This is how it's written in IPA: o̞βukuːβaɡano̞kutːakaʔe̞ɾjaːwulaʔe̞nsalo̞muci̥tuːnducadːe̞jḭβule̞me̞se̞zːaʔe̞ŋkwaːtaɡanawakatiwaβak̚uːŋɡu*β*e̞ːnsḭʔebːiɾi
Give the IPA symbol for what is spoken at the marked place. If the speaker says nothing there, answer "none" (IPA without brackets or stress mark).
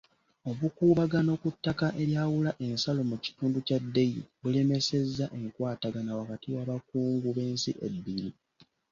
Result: β